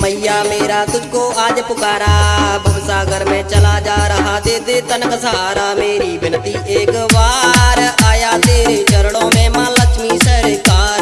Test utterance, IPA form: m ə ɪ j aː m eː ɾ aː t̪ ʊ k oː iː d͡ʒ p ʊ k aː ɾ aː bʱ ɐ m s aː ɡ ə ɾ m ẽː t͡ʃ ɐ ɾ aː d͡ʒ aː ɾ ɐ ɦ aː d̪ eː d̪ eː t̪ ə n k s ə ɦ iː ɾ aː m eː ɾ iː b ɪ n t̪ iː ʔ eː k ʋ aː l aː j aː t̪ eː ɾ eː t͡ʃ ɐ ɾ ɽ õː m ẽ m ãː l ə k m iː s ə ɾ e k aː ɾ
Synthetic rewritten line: m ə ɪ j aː m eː ɾ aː t̪ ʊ k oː aː d͡ʒ p ʊ k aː ɾ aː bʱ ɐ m s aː ɡ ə ɾ m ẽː t͡ʃ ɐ l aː d͡ʒ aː ɾ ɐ ɦ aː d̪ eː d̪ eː t̪ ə n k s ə ɦ aː ɾ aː m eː ɾ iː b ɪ n t̪ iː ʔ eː k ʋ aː ɾ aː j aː t̪ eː ɾ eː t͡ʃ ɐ ɾ ɽ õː m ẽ m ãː l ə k m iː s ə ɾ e k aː ɾ